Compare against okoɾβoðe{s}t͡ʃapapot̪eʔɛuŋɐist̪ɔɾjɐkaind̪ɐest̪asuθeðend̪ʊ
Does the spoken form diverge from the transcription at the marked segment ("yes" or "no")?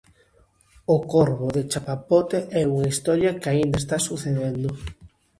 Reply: yes